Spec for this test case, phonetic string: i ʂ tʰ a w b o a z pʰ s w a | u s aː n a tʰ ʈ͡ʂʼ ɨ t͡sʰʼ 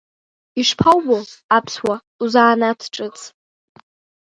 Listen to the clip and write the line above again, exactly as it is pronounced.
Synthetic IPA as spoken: i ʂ pʰ a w b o a pʰ s w a | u z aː n a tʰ ʈ͡ʂʼ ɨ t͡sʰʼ